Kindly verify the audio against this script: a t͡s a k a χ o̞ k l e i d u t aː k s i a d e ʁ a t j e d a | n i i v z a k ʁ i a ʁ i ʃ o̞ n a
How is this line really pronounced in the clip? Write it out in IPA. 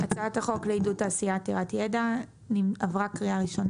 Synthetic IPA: a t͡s a t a χ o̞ k l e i d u t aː s i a t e ʁ a t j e d a | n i a v ʁ a k ʁ i a ʁ i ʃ o̞ n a